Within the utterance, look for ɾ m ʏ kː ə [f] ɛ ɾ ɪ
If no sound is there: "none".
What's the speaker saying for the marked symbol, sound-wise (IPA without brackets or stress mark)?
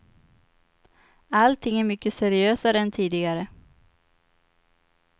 s